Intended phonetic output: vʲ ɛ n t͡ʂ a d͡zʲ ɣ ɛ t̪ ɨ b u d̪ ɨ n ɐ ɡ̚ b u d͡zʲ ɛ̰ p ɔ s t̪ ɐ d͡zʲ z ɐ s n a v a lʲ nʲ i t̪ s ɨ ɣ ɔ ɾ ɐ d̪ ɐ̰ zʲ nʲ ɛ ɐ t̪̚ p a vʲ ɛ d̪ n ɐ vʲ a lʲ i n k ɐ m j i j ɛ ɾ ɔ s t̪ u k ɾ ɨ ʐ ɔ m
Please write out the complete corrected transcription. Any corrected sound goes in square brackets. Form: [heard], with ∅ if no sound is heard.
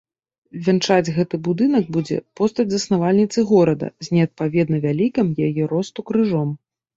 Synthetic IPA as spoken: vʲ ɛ n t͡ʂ a d͡zʲ ɣ ɛ t̪ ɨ b u d̪ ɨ n ɐ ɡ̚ b u d͡zʲ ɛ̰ p ɔ s t̪ ɐ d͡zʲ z ɐ s n a v a lʲ nʲ i t̪ s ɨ ɣ ɔ ɾ ɐ d̪ ɐ̰ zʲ nʲ ɛ ɐ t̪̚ p a vʲ ɛ d̪ n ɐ vʲ a lʲ i [∅] k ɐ m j [a] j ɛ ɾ ɔ s t̪ u k ɾ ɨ ʐ ɔ m